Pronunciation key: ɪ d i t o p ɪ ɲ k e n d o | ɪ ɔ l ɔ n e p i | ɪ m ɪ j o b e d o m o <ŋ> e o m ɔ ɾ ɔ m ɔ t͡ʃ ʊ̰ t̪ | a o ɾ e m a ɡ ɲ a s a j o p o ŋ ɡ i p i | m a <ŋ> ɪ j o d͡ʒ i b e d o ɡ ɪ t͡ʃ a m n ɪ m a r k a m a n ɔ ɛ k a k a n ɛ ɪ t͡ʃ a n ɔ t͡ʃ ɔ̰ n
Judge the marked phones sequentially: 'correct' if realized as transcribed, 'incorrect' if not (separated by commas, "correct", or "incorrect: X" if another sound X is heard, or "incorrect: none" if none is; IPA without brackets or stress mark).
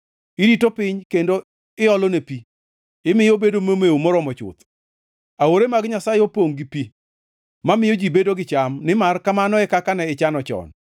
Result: incorrect: m, incorrect: m